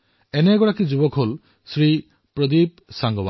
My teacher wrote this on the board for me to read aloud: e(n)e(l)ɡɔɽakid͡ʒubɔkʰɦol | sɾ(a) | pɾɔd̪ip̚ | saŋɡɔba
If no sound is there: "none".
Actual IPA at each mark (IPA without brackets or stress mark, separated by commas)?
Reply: n, none, i